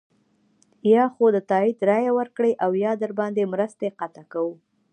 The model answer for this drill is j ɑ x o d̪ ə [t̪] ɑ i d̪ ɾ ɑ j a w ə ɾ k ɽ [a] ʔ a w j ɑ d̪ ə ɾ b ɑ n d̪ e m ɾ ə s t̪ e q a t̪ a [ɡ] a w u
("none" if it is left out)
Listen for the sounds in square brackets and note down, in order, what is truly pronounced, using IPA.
t̪, e, k

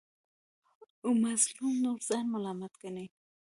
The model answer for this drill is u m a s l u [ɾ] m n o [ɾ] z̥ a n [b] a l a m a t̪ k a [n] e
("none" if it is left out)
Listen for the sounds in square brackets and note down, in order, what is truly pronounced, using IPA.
none, ɾ, m, n

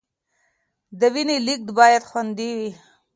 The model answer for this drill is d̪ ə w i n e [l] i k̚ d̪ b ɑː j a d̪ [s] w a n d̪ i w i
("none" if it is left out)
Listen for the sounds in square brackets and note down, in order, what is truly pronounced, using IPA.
l, x

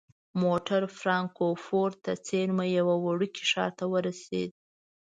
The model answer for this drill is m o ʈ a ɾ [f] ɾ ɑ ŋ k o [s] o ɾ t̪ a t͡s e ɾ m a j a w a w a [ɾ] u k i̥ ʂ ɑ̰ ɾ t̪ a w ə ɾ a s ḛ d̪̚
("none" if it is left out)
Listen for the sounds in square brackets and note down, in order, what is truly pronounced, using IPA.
f, f, ɽ

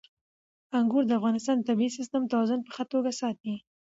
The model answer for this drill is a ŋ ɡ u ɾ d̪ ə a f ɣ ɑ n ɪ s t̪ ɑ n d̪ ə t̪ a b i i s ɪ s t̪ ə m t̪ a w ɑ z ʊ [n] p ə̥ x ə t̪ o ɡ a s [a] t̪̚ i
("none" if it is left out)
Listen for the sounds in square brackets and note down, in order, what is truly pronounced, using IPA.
n, ɑ

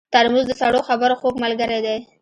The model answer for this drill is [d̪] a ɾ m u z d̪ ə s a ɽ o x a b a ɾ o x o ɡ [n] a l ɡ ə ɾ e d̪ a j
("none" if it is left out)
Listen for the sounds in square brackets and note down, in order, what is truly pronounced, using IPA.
t̪, m

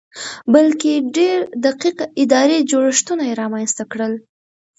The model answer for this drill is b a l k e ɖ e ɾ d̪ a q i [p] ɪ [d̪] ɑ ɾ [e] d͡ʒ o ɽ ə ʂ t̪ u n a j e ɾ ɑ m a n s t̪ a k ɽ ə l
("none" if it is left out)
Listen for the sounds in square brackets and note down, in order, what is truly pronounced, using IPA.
q, d̪, e

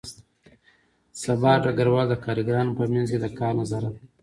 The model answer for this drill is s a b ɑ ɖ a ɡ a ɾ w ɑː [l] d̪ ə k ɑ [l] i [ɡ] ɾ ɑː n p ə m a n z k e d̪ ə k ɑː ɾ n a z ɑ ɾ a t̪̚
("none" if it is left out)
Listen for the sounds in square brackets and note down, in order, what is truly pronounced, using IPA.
l, ɾ, ɡ

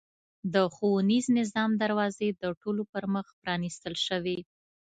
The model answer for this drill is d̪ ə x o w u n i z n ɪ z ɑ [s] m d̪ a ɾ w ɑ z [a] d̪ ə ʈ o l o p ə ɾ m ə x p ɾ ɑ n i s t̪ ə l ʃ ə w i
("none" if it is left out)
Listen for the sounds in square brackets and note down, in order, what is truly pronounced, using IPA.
none, e

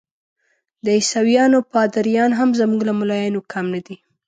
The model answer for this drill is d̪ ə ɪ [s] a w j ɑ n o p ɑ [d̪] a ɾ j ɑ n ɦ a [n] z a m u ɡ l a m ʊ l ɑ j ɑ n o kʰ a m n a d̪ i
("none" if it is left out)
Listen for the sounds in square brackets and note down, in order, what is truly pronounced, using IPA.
s, d̪, m

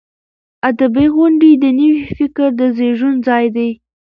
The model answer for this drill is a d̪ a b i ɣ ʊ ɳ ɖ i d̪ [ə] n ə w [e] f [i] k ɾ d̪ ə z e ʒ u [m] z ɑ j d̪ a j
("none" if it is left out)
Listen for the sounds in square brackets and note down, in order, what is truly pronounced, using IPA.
ə, i, ɪ, n

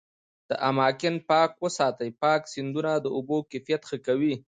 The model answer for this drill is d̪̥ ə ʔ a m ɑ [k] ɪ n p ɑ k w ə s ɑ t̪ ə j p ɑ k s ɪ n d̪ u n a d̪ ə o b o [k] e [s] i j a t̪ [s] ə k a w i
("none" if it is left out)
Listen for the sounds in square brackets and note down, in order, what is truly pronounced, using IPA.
k, k, f, x

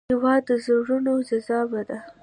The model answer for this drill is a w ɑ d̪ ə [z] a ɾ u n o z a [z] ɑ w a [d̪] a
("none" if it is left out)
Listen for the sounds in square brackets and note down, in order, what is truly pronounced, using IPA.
z, z, d̪

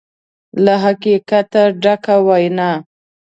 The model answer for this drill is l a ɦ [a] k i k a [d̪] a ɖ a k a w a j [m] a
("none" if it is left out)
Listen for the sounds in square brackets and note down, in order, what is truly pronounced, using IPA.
a, t̪, n

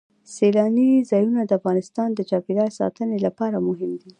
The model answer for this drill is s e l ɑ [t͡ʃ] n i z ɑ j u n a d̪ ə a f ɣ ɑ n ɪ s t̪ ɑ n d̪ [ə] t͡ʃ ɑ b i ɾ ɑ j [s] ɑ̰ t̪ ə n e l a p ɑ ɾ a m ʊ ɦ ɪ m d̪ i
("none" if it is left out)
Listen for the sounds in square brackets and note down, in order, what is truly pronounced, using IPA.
none, ə, s

